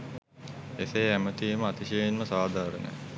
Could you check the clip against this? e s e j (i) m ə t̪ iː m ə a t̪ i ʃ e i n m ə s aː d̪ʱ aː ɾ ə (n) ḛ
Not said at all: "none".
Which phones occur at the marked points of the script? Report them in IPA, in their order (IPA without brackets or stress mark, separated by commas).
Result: æ, n